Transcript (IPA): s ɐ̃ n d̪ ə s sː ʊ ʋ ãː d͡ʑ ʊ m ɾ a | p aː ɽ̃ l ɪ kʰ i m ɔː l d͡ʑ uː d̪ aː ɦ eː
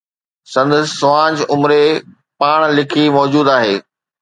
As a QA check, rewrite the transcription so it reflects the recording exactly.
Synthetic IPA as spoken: s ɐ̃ n d̪ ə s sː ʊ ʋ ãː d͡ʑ ʊ m ɾ e | p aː ɽ̃ l ɪ kʰ i m ɔː d͡ʑ uː d̪ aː ɦ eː